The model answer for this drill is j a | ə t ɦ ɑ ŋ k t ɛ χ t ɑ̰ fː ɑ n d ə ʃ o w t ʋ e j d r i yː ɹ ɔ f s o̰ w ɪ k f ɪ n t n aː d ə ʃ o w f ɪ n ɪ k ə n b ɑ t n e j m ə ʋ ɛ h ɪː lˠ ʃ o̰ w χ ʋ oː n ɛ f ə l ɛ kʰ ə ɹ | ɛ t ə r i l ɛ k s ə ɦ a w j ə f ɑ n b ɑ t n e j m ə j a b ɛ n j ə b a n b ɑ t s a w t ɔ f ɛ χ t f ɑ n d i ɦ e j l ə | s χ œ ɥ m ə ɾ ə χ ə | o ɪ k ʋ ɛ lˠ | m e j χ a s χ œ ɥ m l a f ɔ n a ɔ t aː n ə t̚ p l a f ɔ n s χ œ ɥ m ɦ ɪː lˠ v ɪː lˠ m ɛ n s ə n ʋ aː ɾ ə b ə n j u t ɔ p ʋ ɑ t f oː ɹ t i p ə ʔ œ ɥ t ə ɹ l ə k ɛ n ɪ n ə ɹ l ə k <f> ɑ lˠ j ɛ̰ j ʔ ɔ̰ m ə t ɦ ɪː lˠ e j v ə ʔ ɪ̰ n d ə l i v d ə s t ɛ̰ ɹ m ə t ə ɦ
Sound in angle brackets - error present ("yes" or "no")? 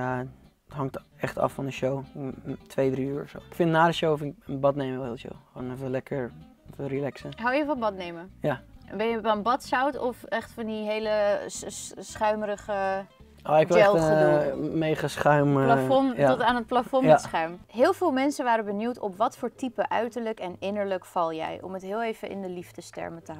no